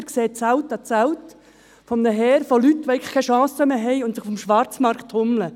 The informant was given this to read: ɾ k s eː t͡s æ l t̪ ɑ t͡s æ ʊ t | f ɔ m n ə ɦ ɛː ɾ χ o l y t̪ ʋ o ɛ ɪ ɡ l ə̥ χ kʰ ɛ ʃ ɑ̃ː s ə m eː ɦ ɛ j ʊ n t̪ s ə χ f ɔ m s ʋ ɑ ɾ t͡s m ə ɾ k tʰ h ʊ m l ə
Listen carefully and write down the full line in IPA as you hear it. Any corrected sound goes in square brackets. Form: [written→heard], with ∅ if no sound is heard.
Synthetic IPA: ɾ k s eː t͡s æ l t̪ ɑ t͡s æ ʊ t | f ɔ m n ə ɦ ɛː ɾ [χ→f] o l y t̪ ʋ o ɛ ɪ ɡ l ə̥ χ kʰ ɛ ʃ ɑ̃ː s ə m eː ɦ ɛ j ʊ n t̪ s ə χ f ɔ m [s→ʃ] ʋ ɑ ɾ t͡s m [ə→ɑ] ɾ k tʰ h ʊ m l ə